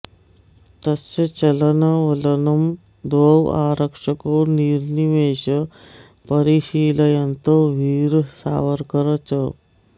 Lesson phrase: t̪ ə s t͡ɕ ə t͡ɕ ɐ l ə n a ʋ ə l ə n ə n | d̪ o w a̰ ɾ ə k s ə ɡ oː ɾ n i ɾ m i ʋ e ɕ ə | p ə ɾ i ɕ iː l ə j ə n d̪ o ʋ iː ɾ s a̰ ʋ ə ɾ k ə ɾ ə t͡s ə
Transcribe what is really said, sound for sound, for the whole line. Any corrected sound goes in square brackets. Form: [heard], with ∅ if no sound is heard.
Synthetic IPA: t̪ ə s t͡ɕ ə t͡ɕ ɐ l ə n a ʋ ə l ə n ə [m] | d̪ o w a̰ ɾ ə k [ʂ] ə [k] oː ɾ n i ɾ [n] i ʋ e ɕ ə | p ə ɾ i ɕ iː l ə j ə n [t̪] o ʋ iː ɾ s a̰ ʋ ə ɾ k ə ɾ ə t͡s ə